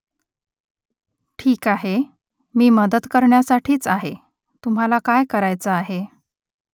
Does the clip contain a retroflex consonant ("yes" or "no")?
yes